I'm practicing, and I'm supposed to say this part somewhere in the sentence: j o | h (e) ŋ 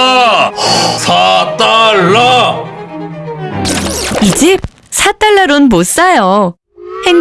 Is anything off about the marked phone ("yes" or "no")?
no